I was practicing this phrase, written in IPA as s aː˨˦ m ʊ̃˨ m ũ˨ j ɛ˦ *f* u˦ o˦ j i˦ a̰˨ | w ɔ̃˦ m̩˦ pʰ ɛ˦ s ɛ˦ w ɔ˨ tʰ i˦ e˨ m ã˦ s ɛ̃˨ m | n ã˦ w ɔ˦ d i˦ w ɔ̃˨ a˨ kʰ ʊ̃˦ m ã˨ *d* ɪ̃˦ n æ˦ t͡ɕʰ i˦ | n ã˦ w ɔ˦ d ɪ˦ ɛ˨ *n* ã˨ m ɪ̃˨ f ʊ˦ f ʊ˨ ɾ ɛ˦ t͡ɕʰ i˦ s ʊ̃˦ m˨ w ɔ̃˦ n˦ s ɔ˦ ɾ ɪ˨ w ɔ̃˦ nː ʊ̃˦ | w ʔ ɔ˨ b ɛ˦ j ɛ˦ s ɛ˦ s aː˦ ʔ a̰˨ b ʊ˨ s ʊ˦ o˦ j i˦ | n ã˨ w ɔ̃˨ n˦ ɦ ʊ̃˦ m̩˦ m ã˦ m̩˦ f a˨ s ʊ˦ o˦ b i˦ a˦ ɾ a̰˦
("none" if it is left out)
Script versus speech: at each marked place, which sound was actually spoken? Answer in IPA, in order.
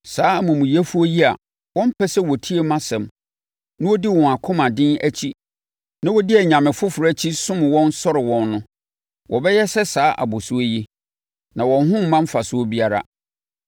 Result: f, d, ɲ

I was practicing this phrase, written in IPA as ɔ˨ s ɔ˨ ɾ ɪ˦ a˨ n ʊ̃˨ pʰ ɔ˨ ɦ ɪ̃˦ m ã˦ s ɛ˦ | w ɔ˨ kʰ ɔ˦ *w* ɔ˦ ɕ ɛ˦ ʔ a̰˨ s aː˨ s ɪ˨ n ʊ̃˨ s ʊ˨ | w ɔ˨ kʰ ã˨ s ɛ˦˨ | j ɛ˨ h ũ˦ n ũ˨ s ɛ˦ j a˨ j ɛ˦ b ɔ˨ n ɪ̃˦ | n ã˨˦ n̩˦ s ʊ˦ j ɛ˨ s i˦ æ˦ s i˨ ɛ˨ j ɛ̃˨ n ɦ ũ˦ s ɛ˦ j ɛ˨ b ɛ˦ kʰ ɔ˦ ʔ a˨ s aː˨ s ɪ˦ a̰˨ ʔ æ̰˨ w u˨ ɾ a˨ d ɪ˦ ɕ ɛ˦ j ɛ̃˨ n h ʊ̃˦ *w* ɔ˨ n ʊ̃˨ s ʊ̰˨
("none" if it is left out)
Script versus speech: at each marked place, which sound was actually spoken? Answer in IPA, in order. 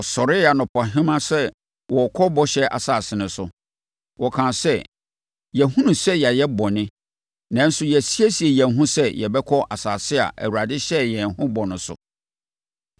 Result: b, b

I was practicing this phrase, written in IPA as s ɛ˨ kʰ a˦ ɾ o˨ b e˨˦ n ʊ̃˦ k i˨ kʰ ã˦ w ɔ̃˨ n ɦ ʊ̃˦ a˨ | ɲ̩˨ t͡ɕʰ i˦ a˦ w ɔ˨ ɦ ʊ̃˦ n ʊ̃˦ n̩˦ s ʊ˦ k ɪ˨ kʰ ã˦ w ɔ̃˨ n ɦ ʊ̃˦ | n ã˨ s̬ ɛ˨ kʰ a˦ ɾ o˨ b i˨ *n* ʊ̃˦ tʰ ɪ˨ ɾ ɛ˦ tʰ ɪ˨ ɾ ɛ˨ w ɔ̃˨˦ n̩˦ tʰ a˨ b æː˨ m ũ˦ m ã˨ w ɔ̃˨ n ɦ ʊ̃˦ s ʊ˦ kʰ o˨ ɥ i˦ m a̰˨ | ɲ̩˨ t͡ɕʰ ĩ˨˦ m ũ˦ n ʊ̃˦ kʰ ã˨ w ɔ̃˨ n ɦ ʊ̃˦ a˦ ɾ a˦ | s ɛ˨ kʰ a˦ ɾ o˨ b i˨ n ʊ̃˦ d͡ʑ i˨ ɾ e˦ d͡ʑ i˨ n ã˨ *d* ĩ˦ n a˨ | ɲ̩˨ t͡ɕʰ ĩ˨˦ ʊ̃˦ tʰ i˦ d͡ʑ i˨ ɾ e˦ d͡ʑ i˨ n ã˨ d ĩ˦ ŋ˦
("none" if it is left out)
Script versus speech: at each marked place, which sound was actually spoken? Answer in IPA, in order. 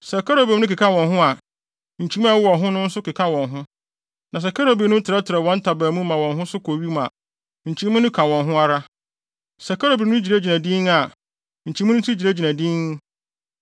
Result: n, d

